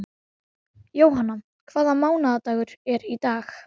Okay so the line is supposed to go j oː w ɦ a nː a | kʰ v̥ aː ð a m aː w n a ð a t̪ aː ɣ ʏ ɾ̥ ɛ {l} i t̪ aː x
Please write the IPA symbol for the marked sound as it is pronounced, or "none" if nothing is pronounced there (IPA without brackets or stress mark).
ɾ